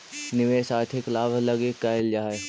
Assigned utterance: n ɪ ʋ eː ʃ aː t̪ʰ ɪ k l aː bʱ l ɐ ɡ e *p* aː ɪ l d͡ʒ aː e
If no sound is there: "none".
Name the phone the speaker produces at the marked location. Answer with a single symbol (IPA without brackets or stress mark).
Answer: k